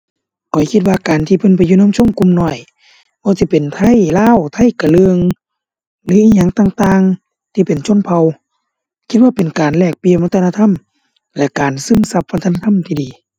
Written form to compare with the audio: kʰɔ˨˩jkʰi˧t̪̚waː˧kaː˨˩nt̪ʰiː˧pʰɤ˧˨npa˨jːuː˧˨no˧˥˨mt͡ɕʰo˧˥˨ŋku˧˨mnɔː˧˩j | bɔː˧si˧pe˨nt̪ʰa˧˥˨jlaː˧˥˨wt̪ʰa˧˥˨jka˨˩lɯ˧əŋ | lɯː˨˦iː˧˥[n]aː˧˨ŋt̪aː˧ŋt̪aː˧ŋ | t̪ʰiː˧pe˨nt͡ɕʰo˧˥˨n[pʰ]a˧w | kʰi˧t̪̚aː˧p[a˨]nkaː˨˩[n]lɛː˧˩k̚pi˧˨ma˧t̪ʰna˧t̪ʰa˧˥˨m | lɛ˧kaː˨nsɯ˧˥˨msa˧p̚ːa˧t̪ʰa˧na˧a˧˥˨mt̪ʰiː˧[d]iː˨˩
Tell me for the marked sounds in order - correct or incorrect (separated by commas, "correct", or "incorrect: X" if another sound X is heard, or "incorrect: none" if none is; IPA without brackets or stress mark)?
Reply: incorrect: ɲ, correct, incorrect: e˨, correct, correct